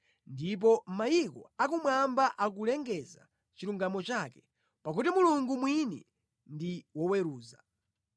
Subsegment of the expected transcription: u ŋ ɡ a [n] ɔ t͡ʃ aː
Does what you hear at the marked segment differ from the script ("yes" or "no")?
yes